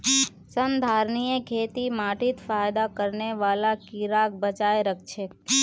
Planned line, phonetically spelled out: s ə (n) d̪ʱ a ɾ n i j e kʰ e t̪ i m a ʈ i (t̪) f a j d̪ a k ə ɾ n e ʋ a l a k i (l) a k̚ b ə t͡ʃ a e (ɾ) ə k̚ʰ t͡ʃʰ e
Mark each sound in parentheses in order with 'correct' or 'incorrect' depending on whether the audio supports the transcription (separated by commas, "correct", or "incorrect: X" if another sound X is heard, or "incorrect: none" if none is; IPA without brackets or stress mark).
correct, correct, incorrect: ɾ, correct